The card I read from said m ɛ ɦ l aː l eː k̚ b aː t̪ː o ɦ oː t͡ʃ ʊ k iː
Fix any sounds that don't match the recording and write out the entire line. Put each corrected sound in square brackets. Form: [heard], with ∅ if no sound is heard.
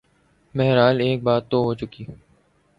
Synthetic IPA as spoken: m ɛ ɦ [ɾ] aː l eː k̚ b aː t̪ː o ɦ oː t͡ʃ ʊ k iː

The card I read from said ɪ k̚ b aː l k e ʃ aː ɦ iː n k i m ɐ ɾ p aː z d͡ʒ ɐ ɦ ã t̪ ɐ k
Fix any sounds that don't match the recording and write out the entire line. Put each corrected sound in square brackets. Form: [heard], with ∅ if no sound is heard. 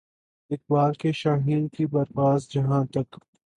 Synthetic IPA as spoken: ɪ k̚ b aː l k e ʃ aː ɦ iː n k i [b] ɐ ɾ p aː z d͡ʒ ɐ ɦ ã t̪ ɐ k

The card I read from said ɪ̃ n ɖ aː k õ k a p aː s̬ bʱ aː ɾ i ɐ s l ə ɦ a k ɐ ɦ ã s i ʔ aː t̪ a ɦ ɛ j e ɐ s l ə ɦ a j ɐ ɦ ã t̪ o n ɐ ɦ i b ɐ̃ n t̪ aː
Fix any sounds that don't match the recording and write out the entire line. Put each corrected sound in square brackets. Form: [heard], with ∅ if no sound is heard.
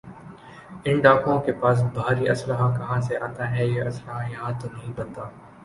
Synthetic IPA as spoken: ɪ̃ n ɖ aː k õ k [e] p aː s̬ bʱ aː ɾ i ɐ s l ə ɦ a k ɐ ɦ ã s [e] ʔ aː t̪ a ɦ ɛ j e ɐ s l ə ɦ a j ɐ ɦ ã t̪ o n ɐ ɦ [ĩ] b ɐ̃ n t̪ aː

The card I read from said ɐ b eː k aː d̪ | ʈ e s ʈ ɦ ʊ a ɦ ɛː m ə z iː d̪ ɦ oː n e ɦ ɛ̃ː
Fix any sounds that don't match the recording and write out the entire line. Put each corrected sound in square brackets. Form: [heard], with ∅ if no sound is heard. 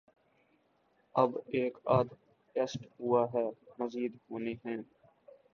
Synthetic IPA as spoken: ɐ b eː k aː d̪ | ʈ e s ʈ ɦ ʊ a ɦ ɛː m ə z iː d̪ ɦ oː n e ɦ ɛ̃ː

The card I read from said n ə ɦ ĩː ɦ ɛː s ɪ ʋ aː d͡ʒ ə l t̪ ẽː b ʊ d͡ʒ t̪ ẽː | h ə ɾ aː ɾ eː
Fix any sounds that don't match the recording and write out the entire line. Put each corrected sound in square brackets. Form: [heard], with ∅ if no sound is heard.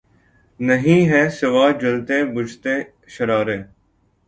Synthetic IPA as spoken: n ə ɦ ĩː ɦ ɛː s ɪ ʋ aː d͡ʒ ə l t̪ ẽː b ʊ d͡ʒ t̪ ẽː | [ʃ] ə ɾ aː ɾ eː

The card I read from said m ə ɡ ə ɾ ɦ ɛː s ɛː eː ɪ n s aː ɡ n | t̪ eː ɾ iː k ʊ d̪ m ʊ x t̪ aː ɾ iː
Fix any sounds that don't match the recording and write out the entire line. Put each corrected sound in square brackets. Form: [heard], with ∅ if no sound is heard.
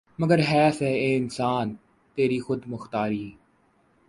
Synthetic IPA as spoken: m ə ɡ ə ɾ ɦ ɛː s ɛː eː ɪ n s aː [∅] n | t̪ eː ɾ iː [x] ʊ d̪ m ʊ x t̪ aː ɾ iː

